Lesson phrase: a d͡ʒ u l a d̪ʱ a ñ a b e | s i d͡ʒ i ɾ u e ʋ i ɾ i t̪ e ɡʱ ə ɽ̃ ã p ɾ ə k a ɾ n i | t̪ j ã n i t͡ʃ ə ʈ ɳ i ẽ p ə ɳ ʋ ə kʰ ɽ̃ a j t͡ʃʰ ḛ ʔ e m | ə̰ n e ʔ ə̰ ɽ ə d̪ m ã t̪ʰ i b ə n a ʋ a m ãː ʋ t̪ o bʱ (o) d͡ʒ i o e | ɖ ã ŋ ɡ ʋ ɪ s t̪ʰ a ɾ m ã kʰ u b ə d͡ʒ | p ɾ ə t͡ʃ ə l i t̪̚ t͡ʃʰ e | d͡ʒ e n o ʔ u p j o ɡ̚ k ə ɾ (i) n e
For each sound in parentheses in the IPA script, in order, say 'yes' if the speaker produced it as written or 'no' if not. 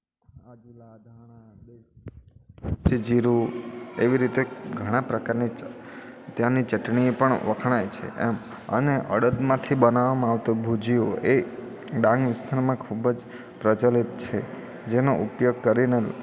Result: no, yes

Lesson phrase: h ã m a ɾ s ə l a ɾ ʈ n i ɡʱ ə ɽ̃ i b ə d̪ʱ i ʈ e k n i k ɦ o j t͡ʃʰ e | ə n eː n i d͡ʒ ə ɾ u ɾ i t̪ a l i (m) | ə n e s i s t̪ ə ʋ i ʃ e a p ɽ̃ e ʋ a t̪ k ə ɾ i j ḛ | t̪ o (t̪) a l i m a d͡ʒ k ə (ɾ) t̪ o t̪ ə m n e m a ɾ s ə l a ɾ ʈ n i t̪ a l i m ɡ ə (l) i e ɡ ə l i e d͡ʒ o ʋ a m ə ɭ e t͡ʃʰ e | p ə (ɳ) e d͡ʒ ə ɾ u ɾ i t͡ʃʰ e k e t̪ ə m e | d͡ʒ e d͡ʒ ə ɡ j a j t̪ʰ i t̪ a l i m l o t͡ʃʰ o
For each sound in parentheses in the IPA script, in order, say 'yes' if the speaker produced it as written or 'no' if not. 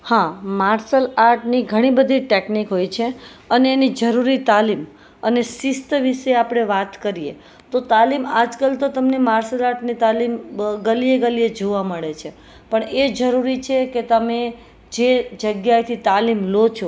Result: yes, yes, no, yes, yes

